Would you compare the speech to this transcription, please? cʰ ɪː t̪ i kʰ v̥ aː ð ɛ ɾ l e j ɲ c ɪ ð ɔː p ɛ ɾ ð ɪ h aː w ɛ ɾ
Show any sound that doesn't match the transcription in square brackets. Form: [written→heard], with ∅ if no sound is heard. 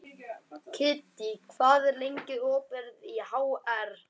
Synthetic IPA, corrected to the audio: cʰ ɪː t̪ i kʰ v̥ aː ð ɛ ɾ l e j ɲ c ɪ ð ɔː p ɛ ɾ ð [ɪ→i] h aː w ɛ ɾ